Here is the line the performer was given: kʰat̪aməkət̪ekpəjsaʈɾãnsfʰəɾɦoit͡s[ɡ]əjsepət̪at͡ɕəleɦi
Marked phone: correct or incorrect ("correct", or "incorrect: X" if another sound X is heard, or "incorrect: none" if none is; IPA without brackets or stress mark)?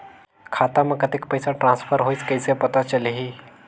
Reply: incorrect: k